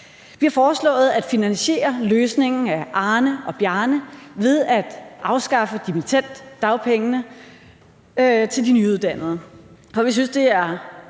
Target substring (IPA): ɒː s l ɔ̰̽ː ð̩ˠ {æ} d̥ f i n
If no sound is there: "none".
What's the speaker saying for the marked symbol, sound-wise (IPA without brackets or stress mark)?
æ